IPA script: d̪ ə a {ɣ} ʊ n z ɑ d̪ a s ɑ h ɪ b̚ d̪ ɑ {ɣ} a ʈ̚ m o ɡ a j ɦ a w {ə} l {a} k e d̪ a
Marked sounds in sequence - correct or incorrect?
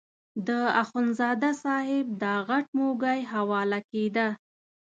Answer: incorrect: x, correct, incorrect: ɑ, correct

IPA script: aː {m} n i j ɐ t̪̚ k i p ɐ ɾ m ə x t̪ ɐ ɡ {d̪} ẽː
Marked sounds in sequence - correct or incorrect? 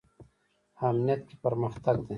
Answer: correct, correct

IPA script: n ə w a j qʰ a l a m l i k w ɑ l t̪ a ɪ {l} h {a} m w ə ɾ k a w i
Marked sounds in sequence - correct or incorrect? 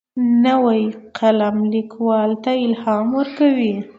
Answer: correct, incorrect: ɑ

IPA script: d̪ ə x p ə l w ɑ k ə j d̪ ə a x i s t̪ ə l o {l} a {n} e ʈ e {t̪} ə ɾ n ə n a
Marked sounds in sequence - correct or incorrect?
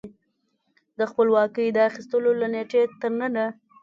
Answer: correct, correct, correct

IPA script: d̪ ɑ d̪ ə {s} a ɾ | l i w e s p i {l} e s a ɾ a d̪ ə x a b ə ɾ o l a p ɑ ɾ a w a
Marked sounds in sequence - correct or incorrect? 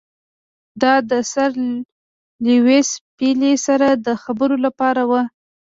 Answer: correct, correct

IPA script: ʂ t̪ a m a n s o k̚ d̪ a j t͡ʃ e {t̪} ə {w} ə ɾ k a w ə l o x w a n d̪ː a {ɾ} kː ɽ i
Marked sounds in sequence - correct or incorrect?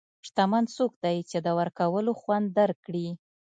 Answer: incorrect: d̪, correct, correct

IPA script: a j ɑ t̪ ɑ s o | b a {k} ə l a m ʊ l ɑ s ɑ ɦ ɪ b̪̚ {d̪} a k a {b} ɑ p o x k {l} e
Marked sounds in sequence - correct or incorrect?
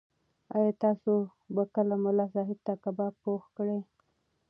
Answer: correct, incorrect: t̪, correct, incorrect: ɽ

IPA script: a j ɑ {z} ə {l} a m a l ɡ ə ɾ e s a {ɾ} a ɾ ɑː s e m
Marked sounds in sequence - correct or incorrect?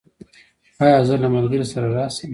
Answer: correct, correct, correct

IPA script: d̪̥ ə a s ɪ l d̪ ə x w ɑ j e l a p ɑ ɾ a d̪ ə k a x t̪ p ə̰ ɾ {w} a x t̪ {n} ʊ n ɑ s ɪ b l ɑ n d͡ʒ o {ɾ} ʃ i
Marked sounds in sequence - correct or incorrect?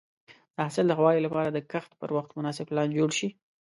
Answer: correct, incorrect: m, incorrect: ɽ

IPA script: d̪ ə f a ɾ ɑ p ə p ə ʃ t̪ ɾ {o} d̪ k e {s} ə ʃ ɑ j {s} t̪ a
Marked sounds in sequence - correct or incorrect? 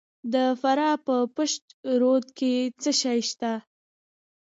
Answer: correct, incorrect: t͡s, incorrect: ʃ

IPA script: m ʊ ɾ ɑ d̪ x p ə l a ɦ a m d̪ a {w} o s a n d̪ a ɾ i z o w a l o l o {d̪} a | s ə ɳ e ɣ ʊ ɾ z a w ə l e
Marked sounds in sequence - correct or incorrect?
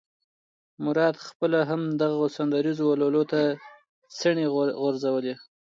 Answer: incorrect: ɣ, incorrect: t̪

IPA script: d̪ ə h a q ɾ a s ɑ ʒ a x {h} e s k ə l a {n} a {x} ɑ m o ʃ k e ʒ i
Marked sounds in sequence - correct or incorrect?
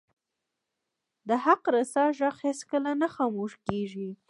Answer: correct, correct, correct

